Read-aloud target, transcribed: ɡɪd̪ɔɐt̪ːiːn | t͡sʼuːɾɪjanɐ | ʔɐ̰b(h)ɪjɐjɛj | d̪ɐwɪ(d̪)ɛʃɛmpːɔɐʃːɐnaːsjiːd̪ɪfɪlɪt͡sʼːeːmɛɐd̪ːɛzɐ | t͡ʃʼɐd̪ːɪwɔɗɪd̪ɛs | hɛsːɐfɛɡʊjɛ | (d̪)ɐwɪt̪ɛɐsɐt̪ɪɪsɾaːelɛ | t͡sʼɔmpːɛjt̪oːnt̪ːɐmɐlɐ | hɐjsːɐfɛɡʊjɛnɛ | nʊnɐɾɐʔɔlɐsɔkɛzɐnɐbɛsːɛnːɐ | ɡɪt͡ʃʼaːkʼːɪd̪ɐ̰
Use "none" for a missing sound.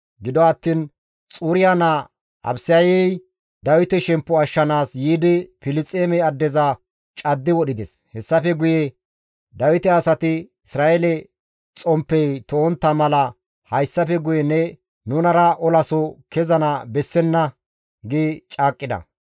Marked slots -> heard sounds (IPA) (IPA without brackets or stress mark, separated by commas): s, t̪, d̪